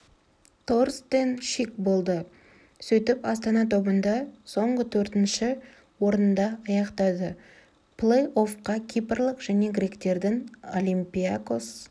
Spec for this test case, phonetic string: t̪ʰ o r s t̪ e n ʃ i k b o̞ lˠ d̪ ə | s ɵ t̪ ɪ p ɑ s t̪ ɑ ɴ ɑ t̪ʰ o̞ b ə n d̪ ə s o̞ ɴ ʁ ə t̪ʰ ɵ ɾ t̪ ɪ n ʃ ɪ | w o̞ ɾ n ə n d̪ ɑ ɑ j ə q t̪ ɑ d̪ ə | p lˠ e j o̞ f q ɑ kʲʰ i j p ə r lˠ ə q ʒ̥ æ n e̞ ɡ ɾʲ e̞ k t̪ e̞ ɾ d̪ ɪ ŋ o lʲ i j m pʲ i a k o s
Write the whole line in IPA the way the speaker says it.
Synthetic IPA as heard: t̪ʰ o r s t̪ e n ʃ i k b o̞ lˠ d̪ ə | s ɵ t̪ ɪ p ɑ s t̪ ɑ n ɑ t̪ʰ o̞ b ə n d̪ ɑ s o̞ ɴ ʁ ə t̪ʰ ɵ ɾ t̪ ɪ n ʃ ɪ | w o̞ ɾ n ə n d̪ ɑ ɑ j ɑ q t̪ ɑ d̪ ə | p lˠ e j o̞ f q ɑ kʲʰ i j p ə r lˠ ə q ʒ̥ æ n e̞ ɡ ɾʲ e̞ k t̪ e̞ ɾ d̪ ɪ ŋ o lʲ i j m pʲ i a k o s